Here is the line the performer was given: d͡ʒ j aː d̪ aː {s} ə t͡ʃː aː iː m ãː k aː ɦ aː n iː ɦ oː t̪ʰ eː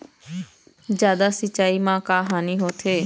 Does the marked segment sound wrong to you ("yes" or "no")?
no